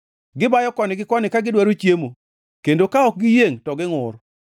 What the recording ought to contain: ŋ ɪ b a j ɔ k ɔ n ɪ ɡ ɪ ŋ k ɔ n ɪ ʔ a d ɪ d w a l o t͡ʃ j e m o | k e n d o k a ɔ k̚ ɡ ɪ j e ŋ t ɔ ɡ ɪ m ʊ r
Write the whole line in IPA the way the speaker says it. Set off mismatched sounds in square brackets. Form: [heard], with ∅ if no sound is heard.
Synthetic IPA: [ɡ] ɪ b a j ɔ k ɔ n ɪ ɡ ɪ [∅] k ɔ n ɪ [k] a [ɡ] ɪ d w a [ɾ] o t͡ʃ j e m o | k e n d o k a ɔ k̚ ɡ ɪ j e ŋ t ɔ ɡ ɪ [ŋ] ʊ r